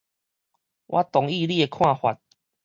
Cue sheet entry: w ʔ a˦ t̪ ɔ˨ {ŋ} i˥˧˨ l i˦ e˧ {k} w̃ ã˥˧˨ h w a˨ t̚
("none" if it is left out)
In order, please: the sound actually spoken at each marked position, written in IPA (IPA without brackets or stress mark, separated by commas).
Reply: ŋ, kʰ